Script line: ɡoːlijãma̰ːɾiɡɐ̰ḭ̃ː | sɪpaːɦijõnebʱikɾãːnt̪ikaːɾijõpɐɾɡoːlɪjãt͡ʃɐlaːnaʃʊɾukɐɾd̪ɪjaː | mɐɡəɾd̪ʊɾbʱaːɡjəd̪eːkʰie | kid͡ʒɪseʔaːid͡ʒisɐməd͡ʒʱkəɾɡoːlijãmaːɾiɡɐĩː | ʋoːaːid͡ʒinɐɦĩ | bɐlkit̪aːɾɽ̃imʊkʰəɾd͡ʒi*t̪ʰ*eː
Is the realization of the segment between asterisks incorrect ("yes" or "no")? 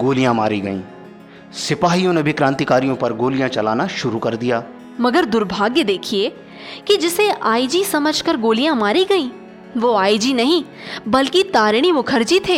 no